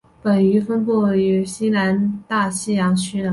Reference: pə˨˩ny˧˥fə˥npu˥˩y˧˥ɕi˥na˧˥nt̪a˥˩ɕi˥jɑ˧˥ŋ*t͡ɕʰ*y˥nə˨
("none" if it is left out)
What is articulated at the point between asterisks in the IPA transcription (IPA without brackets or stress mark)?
t͡ɕʰ